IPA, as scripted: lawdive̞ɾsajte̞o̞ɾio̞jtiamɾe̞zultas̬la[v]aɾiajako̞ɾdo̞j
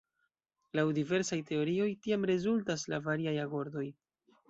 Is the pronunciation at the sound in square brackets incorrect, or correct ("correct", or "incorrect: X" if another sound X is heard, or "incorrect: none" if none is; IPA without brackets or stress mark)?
correct